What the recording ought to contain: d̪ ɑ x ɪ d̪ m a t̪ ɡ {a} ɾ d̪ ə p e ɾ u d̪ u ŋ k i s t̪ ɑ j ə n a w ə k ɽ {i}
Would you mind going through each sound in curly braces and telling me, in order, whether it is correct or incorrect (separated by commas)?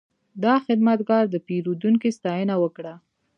incorrect, incorrect